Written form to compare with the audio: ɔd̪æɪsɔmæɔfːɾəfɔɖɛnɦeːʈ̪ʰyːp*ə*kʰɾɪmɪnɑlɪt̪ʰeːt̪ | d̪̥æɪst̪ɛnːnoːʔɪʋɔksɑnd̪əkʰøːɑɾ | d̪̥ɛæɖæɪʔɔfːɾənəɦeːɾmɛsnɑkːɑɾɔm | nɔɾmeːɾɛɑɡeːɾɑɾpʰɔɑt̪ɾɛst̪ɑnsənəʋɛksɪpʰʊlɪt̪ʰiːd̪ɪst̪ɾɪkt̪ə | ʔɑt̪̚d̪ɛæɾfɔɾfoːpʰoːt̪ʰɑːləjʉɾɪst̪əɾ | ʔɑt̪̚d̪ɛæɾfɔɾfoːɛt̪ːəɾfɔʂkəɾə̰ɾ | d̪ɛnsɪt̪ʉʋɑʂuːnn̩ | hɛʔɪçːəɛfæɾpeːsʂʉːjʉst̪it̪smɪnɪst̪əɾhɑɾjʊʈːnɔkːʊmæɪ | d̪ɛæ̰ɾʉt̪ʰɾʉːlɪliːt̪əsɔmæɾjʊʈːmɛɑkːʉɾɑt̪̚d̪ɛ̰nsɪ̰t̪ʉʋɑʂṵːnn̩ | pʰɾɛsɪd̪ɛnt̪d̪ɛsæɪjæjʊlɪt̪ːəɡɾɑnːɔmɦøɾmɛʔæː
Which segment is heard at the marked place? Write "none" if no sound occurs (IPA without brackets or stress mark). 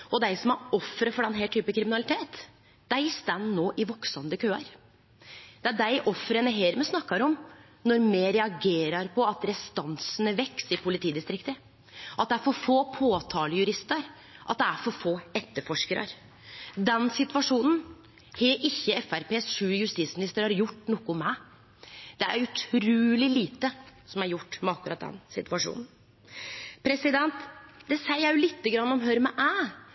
ə